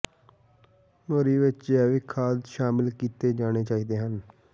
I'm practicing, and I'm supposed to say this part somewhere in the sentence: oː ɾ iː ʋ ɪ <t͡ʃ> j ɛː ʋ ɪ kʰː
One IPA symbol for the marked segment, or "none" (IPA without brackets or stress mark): t͡ʃ